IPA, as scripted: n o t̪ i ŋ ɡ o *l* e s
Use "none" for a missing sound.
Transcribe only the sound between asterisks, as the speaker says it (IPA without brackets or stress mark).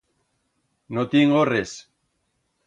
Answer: r